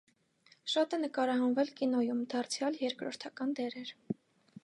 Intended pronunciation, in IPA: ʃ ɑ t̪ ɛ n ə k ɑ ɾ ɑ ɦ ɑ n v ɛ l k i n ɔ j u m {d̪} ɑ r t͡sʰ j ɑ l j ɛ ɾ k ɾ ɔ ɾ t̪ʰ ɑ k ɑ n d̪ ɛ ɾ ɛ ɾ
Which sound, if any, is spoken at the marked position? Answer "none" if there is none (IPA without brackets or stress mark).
d̪